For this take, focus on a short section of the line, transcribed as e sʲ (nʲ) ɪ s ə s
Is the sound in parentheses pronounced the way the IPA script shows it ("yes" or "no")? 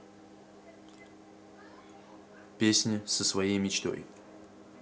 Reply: yes